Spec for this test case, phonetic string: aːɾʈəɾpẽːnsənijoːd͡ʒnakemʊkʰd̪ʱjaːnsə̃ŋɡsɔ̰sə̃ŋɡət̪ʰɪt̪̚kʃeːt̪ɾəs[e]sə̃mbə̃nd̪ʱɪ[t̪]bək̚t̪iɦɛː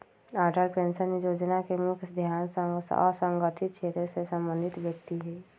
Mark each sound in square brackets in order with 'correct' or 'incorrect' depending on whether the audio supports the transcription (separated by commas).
correct, correct